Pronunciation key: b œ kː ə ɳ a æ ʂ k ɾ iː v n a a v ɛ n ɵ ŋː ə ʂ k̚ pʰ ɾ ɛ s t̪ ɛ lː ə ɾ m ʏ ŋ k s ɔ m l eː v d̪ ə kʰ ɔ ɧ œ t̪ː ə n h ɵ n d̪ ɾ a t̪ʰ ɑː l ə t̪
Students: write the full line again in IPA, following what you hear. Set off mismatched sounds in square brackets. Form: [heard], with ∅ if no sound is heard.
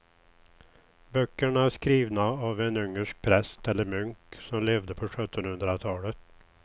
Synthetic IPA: b œ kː ə ɳ a æ ʂ k ɾ iː v n a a v ɛ n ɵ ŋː ə ʂ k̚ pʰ ɾ ɛ s t̪ ɛ lː ə ɾ m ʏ ŋ k s ɔ m l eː v d̪ ə [pʰ] ɔ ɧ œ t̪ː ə n h ɵ n d̪ ɾ a t̪ʰ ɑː l ə t̪